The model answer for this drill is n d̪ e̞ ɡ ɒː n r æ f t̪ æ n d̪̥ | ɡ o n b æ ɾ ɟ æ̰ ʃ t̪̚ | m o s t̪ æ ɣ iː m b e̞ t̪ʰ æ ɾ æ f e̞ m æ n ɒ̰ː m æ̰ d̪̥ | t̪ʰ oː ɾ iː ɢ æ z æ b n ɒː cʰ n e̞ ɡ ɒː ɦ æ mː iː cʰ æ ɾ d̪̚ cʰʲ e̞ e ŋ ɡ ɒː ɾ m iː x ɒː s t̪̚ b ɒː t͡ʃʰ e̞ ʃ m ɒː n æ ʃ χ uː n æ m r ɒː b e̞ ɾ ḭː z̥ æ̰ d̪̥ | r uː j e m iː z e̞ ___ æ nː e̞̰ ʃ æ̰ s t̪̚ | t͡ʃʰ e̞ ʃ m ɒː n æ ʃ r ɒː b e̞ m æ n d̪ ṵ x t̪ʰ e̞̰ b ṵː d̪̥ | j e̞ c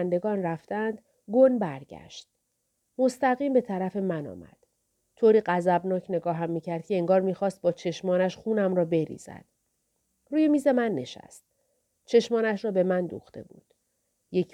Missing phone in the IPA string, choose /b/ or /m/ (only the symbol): m